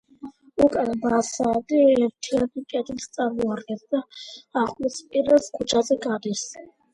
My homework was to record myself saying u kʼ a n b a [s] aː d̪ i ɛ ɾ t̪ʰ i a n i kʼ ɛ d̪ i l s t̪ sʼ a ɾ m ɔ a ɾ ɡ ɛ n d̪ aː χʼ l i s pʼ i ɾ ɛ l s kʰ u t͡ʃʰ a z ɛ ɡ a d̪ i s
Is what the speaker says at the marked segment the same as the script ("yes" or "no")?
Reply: yes